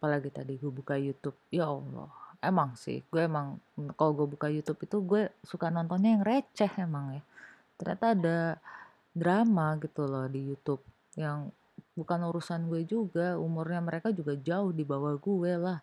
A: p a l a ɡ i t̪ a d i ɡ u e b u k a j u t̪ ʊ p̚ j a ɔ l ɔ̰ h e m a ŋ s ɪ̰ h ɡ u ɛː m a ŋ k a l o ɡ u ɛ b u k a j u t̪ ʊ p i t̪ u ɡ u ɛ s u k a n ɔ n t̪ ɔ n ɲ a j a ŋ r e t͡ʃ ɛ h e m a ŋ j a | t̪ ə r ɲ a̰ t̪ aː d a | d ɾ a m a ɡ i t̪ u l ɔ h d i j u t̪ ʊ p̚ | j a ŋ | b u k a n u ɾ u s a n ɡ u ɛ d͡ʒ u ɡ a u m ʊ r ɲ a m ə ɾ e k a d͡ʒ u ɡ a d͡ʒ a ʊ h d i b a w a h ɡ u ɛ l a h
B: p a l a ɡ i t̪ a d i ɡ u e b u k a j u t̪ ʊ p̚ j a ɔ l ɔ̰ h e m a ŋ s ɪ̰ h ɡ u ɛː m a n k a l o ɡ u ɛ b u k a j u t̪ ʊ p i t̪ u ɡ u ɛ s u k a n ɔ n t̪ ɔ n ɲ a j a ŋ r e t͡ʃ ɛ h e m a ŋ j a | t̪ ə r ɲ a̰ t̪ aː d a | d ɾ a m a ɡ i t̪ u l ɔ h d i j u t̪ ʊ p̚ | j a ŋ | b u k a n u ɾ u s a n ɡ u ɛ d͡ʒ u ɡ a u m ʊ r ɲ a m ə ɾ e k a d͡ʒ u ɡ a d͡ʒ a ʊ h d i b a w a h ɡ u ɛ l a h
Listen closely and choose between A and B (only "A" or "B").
A